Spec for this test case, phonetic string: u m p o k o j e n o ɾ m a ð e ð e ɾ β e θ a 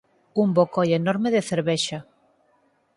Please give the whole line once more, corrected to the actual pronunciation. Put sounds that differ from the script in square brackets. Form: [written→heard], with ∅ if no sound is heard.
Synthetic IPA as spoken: u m [p→b] o k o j e n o ɾ m [a→e] ð e [ð→θ] e ɾ β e [θ→ʃ] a